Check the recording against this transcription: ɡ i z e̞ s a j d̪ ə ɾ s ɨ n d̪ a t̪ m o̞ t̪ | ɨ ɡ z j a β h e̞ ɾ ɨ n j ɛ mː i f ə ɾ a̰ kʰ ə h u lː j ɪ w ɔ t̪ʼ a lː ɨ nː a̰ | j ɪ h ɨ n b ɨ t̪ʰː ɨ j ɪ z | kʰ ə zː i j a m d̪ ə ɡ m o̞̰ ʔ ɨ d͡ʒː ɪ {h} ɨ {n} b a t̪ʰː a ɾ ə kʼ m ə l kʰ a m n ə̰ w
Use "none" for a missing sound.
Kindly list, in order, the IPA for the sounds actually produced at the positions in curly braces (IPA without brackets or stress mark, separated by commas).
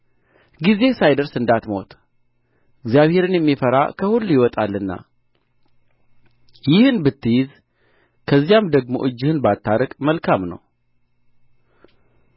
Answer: h, n